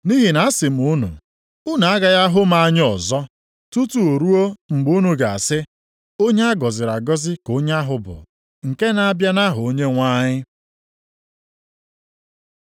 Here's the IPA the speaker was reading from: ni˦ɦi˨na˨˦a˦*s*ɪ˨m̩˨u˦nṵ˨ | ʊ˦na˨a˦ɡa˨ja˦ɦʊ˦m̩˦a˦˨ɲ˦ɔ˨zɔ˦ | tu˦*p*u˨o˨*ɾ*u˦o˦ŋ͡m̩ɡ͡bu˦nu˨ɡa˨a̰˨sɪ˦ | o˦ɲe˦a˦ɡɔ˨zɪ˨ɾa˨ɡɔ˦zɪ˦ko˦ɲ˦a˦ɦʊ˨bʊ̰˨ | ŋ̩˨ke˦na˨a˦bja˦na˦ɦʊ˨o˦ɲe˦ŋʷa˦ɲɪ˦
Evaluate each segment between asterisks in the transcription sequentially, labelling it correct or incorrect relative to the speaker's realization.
correct, incorrect: t, correct

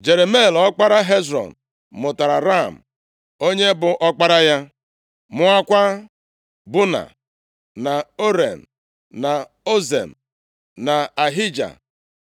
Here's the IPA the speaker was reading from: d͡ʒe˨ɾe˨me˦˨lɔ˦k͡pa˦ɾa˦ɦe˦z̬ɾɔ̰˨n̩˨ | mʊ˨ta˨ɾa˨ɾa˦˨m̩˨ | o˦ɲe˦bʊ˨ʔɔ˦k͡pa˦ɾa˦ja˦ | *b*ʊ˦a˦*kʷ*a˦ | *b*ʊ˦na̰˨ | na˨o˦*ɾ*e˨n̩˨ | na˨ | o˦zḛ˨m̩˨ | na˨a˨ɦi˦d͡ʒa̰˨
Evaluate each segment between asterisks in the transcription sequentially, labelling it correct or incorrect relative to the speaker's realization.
incorrect: m, correct, correct, correct

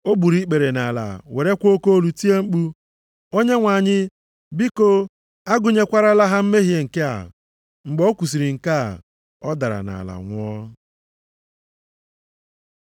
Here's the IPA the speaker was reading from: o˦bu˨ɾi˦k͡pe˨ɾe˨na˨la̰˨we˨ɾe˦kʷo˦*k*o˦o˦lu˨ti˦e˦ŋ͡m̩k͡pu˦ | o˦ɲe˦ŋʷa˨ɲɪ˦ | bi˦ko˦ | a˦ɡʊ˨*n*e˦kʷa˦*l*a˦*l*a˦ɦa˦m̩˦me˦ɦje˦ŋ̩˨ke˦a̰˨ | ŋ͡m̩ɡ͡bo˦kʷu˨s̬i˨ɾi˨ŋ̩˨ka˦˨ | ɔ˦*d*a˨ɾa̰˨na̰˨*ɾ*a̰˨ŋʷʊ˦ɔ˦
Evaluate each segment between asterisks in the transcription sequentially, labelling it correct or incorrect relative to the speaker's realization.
correct, incorrect: ɲ, incorrect: ɾ, correct, correct, incorrect: l

